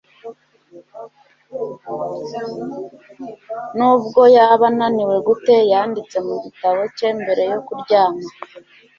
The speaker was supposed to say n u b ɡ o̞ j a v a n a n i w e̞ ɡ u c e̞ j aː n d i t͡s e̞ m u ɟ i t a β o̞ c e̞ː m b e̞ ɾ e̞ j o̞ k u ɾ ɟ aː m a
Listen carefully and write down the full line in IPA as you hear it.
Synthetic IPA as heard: n u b ɡ o̞ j a β a n a n i w e̞ ɡ u t e̞ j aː n d i t͡s e̞ m u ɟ i t a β o̞ c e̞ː m b e̞ ɾ e̞ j o̞ k u ɾ ɟ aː m a